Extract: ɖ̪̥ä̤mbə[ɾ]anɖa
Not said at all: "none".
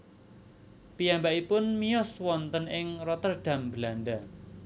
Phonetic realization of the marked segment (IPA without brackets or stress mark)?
l